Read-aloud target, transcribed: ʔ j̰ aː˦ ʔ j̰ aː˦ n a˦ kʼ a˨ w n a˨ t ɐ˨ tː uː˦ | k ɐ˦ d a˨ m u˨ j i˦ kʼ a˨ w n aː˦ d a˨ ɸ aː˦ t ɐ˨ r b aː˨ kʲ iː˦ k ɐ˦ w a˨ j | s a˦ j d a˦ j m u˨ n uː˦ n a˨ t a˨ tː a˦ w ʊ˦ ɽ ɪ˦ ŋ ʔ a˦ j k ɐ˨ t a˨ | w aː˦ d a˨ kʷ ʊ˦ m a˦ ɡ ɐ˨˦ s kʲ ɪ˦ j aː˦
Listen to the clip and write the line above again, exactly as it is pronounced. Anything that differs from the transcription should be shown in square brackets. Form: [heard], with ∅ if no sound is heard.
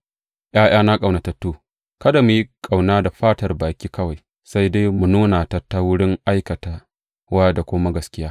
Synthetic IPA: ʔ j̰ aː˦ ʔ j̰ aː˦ n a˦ kʼ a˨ w n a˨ t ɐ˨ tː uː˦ | k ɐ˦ d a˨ m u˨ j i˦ kʼ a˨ w n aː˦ d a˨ ɸ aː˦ t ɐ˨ r b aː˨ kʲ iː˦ k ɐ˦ w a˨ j | s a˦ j d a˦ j m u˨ n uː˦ n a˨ t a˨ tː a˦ w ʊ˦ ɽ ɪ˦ ŋ ʔ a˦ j k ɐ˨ t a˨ | w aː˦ d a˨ kʷ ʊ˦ m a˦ ɡ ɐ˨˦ s kʲ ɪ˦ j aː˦